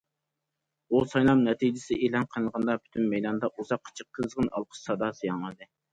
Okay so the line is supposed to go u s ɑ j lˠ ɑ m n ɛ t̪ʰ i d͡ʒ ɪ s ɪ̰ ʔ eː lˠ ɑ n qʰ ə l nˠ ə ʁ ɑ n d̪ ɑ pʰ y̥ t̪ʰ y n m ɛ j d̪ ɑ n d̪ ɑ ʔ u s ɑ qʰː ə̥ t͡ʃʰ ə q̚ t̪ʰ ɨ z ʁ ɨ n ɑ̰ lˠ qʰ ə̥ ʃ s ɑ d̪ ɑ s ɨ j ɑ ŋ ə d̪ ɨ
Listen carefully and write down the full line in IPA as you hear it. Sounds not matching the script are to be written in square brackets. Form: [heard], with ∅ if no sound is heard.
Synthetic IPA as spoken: u s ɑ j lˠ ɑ m n ɛ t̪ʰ i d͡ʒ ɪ s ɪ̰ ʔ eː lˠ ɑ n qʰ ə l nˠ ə ʁ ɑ n d̪ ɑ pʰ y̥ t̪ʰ y n m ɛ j d̪ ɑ n d̪ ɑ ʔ u [z] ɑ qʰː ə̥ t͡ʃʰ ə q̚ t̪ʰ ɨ z ʁ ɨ n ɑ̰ lˠ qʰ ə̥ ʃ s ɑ d̪ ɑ s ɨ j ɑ ŋ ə d̪ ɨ